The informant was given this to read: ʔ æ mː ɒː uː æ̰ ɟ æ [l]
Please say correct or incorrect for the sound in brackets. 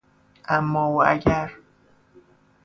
incorrect